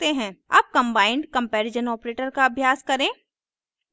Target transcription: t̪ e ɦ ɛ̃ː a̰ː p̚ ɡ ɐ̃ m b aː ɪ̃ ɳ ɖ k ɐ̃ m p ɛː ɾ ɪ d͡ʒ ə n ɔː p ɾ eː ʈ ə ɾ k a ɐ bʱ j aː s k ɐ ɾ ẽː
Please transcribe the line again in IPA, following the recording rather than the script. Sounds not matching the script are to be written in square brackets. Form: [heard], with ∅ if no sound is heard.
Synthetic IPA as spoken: t̪ e ɦ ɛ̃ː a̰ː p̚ [k] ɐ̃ m b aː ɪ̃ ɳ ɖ k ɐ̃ m p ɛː ɾ ɪ d͡ʒ ə n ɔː p ɾ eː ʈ ə ɾ k a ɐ bʱ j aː s k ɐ ɾ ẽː